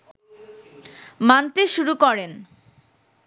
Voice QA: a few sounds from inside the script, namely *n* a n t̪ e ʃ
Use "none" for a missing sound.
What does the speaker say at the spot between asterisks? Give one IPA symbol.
m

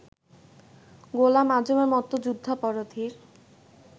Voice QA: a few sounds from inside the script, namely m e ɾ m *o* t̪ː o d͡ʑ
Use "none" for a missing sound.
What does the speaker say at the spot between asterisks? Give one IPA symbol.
ɔ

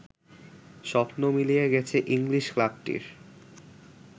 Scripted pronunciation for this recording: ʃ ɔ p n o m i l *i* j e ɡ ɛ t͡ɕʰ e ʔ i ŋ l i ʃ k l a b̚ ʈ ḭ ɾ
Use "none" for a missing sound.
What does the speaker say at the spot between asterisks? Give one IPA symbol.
i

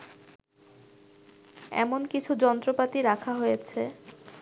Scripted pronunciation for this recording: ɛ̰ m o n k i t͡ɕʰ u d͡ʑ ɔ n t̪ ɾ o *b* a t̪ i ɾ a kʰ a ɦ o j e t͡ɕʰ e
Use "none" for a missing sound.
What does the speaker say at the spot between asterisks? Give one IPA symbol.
p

